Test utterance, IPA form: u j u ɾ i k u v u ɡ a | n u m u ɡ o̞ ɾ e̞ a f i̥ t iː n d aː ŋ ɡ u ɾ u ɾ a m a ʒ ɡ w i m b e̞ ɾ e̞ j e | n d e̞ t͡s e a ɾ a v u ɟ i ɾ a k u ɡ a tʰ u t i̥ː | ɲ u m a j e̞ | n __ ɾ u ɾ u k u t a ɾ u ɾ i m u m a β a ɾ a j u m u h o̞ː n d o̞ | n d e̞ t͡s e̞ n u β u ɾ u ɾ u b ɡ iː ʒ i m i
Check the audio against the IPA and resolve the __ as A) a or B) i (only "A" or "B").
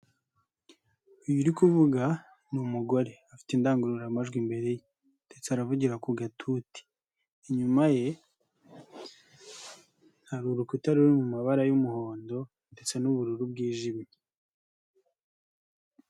A